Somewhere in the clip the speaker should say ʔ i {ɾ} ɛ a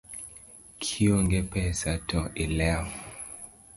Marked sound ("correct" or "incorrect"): incorrect